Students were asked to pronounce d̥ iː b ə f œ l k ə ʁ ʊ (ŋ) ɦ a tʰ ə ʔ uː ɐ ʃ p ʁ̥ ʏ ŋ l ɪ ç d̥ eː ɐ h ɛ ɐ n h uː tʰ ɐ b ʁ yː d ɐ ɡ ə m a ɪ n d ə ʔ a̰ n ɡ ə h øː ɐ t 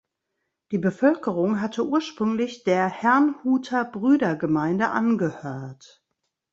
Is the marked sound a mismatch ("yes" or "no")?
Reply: no